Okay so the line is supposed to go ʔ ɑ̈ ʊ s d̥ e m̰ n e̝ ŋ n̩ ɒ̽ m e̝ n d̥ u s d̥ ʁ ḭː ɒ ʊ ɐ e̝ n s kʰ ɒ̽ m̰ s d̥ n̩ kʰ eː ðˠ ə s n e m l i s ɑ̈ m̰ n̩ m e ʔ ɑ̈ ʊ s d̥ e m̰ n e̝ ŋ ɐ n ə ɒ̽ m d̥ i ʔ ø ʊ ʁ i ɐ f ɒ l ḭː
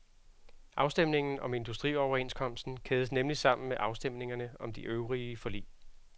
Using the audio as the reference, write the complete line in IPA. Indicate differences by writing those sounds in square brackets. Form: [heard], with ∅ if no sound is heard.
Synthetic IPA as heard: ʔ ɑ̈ ʊ s d̥ e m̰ n e̝ ŋ n̩ ɒ̽ m e̝ n d̥ u s d̥ ʁ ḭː ɒ ʊ ɐ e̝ n s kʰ ɒ̽ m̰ s d̥ n̩ kʰ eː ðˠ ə s n e m l i s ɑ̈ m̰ n̩ m e ʔ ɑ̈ ʊ s d̥ e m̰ n e̝ ŋ ɐ n ə ɒ̽ m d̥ i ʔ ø ʊ ʁ i [ə] f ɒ l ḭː